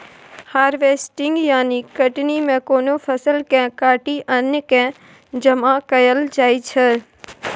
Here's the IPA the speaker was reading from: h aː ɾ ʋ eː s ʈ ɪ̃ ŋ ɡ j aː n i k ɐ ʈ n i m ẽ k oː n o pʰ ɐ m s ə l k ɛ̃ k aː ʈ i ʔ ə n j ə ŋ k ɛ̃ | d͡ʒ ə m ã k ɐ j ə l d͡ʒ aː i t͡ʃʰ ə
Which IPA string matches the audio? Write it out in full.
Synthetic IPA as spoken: h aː ɾ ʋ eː s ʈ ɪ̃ ŋ ɡ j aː n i k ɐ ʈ n i m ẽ k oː n o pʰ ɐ s ə l k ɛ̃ k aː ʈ i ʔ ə n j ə k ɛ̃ | d͡ʒ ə m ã k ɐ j ə l d͡ʒ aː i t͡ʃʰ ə

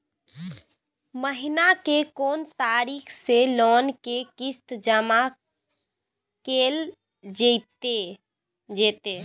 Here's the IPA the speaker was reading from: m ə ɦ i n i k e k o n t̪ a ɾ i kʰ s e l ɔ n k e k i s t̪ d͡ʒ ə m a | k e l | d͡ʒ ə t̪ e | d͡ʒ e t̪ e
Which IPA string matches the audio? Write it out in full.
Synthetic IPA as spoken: m ə ɦ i n a k e k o n t̪ a ɾ i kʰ s e l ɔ n k e k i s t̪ d͡ʒ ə m a | k e l | d͡ʒ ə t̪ e | d͡ʒ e t̪ e

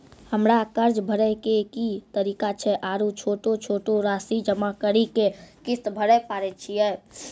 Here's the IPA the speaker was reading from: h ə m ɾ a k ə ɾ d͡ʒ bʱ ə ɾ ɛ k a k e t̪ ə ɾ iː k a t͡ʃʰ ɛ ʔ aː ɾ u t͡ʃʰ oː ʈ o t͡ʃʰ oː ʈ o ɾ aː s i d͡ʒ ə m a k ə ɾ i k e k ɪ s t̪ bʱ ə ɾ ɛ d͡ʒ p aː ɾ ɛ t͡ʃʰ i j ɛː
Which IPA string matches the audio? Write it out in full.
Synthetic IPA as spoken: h ə m ɾ a k ə ɾ d͡ʒ bʱ ə ɾ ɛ k e k i t̪ ə ɾ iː k a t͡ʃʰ ɛ ʔ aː ɾ u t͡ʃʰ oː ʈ o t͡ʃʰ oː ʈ o ɾ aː s i d͡ʒ ə m a k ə ɾ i k e k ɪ s t̪ bʱ ə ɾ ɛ p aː ɾ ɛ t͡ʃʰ i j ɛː

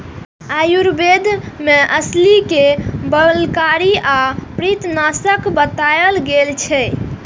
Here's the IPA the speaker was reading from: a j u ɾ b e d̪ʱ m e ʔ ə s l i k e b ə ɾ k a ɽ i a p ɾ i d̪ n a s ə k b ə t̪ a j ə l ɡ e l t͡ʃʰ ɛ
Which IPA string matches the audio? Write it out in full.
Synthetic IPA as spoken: a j u ɾ b e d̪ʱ m e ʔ ə s l i k e b ə l k a ɾ i a p ɾ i t̪ n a s ə k b ə t̪ a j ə l ɡ e l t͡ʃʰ ɛ

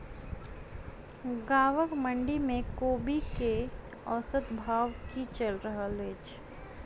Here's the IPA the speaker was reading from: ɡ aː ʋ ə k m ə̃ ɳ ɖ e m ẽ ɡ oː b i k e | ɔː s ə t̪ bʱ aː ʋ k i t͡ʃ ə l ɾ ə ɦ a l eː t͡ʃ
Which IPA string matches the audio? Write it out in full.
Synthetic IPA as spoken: ɡ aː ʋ ə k m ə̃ ɳ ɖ i m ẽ k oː b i k e | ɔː s ə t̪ bʱ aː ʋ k i t͡ʃ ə l ɾ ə ɦ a l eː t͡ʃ

